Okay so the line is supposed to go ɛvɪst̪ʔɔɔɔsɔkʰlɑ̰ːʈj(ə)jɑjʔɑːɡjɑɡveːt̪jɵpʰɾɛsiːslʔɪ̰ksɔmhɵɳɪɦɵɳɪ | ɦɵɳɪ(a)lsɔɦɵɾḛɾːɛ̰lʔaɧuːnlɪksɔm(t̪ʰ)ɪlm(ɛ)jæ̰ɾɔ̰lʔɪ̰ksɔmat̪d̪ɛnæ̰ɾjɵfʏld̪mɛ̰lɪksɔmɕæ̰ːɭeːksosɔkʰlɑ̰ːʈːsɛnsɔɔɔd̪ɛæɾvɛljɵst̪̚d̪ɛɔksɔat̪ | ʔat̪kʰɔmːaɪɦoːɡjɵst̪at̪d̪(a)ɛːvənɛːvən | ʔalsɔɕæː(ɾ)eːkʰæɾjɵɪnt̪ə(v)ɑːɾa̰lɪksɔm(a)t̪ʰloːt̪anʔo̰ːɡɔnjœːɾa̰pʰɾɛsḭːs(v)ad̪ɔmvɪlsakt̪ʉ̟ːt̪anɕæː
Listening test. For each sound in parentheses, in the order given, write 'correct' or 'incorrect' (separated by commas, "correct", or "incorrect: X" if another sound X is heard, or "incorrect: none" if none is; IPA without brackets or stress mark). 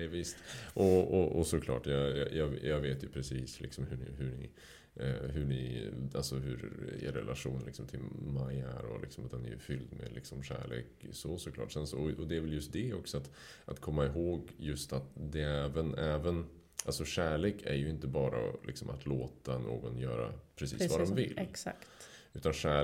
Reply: incorrect: ɑ, correct, correct, incorrect: a, incorrect: ɛ, incorrect: ɭ, incorrect: b, correct, correct